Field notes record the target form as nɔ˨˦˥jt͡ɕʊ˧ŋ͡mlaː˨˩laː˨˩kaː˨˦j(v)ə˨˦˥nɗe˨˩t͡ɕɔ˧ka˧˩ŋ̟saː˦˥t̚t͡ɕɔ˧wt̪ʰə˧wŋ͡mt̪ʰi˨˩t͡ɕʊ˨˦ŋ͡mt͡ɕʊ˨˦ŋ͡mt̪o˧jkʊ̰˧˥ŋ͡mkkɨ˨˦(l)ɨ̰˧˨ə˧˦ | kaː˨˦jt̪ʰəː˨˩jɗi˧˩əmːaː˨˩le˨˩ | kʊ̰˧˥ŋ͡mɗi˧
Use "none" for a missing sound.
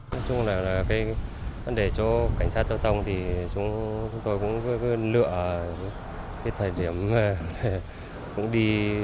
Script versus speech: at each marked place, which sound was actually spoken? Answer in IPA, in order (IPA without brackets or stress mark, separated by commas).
v, l